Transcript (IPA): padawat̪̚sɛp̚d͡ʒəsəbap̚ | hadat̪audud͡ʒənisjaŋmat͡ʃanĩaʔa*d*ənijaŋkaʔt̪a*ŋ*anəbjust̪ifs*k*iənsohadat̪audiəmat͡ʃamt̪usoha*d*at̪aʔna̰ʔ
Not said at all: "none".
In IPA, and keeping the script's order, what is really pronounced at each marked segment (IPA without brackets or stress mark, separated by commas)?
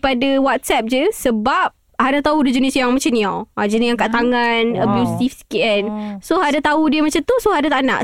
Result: d͡ʒ, ŋ, k, d